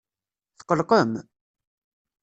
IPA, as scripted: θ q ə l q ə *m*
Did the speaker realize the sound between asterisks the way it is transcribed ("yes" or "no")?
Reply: yes